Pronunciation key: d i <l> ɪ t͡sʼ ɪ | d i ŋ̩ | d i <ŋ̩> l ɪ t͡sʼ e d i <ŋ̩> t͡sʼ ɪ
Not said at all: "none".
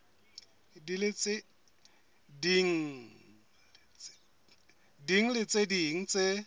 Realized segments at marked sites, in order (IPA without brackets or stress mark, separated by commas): l, ŋ̩, ŋ̩